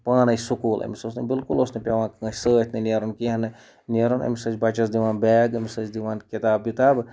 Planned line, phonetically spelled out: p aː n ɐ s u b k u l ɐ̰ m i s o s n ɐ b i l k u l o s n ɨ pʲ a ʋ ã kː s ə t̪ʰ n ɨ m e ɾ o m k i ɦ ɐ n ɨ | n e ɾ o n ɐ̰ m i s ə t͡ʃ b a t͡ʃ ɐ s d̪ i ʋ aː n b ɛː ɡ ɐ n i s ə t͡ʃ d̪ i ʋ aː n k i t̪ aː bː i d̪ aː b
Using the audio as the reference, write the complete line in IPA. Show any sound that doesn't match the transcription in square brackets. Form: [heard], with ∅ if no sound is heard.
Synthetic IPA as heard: p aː n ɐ s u [∅] k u l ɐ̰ m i s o s n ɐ b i l k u l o s n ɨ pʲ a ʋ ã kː s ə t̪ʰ n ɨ [n] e ɾ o [n] k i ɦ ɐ n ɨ | n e ɾ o n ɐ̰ m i s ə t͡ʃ b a t͡ʃ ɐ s d̪ i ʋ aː n b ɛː ɡ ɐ [m] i s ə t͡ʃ d̪ i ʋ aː n k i t̪ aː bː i [t̪] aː b